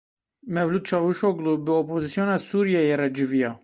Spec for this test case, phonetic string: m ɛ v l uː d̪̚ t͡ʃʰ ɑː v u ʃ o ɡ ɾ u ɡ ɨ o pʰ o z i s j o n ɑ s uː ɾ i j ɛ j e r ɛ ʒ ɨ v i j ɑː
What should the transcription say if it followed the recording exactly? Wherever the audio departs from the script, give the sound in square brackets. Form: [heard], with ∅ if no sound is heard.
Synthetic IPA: m ɛ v l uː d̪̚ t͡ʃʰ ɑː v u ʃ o ɡ [l] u [b] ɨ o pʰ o z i s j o n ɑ s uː ɾ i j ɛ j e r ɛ [d͡ʒ] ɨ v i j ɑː